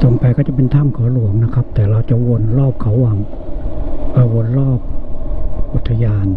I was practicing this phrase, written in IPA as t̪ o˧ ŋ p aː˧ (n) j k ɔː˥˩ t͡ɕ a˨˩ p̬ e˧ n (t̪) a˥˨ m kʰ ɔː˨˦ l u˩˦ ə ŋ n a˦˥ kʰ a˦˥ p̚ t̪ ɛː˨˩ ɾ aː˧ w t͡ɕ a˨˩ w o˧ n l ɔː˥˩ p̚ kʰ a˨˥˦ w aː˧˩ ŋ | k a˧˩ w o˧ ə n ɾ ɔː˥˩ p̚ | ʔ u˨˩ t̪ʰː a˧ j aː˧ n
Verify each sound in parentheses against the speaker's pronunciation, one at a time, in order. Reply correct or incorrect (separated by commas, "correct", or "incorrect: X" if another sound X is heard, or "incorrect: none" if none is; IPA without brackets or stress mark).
incorrect: none, incorrect: t̪ʰ